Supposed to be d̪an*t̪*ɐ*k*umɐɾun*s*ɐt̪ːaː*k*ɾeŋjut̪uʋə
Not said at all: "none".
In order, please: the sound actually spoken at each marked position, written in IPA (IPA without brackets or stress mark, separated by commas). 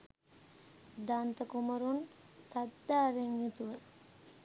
t̪, k, s, none